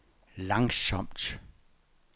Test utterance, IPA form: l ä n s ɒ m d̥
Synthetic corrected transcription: l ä ŋ s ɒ m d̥

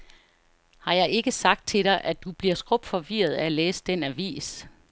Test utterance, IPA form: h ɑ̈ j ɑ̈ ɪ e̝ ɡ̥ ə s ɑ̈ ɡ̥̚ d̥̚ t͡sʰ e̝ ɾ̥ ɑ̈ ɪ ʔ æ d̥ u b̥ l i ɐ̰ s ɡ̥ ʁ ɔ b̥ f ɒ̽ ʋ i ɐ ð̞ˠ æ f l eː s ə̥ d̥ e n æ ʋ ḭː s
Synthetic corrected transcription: h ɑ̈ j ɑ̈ ɪ e̝ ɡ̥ ə s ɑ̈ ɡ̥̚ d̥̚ t͡sʰ e̝ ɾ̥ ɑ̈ ɪ ʔ æ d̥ u b̥ l i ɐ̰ s ɡ̥ ʁ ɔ b̥ f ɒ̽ ʋ i ɐ ð̞ˠ æ l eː s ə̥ d̥ e n æ ʋ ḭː s

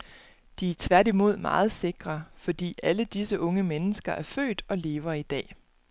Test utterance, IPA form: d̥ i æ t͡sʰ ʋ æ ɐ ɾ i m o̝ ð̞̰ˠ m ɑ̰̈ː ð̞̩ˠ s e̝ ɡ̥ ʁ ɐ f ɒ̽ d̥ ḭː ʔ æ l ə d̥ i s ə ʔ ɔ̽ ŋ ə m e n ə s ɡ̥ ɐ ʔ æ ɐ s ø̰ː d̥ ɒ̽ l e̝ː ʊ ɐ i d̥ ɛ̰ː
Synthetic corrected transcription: d̥ i æ t͡sʰ ʋ æ ɐ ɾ i m o̝ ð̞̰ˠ m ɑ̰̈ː ð̞̩ˠ s e̝ ɡ̥ ʁ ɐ f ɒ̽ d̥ ḭː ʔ æ l ə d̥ i s ə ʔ ɔ̽ ŋ ə m e n ə s ɡ̥ ɐ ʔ æ ɐ f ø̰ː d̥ ɒ̽ l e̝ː ʊ ɐ i d̥ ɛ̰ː

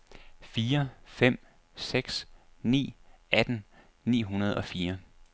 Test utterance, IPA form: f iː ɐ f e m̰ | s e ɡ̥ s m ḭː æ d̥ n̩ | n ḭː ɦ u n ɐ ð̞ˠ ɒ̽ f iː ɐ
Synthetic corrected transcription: f iː ɐ f e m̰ | s e ɡ̥ s n ḭː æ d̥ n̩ | n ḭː ɦ u n ɐ ð̞ˠ ɒ̽ f iː ɐ

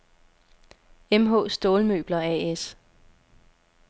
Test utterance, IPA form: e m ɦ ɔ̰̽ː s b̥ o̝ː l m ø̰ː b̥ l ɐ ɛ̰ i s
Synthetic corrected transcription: e m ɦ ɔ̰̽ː s d̥ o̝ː l m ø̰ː b̥ l ɐ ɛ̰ e s

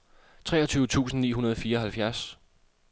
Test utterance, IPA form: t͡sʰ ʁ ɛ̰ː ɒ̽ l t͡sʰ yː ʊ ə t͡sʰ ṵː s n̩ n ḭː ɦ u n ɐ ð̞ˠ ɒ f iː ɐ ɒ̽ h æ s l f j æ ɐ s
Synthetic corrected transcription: t͡sʰ ʁ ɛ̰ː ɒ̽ t͡sʰ yː ʊ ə t͡sʰ ṵː s n̩ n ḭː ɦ u n ɐ ð̞ˠ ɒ f iː ɐ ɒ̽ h æ l f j æ ɐ s

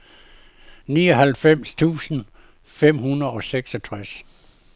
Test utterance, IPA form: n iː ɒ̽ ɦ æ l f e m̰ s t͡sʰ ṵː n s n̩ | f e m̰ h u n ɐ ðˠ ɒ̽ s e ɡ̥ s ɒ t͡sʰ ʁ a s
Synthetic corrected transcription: n iː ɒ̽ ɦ æ l f e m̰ s t͡sʰ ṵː s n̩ | f e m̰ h u n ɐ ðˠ ɒ̽ s e ɡ̥ s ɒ t͡sʰ ʁ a s

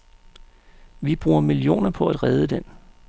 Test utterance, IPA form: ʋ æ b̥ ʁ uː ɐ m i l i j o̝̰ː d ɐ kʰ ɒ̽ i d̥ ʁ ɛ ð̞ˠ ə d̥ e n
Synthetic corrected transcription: ʋ i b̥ ʁ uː ɐ m i l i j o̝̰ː n ɐ pʰ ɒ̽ æ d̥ ʁ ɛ ð̞ˠ ə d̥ e n

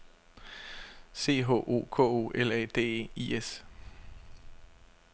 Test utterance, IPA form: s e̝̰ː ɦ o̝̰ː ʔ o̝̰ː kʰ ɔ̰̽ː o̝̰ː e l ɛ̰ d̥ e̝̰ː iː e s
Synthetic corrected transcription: s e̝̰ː ɦ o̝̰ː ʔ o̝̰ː kʰ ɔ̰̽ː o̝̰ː e l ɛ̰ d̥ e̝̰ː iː e s

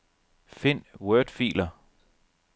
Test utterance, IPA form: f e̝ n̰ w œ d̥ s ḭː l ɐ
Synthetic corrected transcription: f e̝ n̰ w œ d̥ f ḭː l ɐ

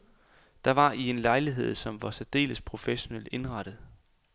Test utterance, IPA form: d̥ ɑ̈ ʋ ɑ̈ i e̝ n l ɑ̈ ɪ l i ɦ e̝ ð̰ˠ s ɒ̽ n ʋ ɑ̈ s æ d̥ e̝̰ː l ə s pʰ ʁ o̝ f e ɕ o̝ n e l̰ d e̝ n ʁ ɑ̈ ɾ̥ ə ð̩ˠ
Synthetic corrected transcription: d̥ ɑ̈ ʋ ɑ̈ i e̝ n l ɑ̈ ɪ l i ɦ e̝ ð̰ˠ s ɒ̽ m ʋ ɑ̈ s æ d̥ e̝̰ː l ə s pʰ ʁ o̝ f e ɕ o̝ n e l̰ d e̝ n ʁ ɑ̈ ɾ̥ ə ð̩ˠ

